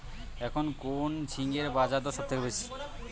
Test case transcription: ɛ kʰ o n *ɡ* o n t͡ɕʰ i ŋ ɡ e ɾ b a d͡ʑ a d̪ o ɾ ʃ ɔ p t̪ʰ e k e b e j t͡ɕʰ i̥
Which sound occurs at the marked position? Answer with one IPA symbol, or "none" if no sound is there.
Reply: k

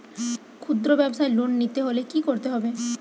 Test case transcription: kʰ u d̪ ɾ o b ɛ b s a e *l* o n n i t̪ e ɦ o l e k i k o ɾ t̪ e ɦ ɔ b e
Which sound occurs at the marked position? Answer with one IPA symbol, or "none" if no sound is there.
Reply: l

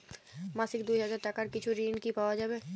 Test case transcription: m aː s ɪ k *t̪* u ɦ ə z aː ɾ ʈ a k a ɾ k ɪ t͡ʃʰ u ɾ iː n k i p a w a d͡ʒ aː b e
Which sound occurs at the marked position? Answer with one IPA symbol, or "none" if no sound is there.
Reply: d̪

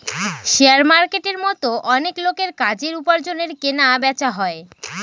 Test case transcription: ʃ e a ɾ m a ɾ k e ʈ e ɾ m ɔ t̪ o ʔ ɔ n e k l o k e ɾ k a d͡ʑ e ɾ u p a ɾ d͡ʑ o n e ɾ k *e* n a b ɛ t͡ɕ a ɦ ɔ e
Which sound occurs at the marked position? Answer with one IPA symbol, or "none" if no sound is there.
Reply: e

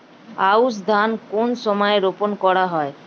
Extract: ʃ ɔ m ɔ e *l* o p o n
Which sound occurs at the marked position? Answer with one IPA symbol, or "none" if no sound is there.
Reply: ɾ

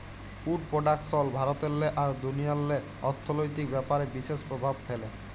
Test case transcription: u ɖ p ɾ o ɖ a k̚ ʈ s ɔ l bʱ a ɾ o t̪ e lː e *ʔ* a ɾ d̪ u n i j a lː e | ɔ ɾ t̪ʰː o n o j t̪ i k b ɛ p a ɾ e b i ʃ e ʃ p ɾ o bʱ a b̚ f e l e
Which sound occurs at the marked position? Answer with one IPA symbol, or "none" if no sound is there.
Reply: ʔ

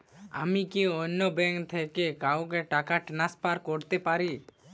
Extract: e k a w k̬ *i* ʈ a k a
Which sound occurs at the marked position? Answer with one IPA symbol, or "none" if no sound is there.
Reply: e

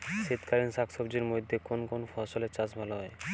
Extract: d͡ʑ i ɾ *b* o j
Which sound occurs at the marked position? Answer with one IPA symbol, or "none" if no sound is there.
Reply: m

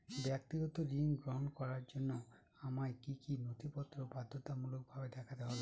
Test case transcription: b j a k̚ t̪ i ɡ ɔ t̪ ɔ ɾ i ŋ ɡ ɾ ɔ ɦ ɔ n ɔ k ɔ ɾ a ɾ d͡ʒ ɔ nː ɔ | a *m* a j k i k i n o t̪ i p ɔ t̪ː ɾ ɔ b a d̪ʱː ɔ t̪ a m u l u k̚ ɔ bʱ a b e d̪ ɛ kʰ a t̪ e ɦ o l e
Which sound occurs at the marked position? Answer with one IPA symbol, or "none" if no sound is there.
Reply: m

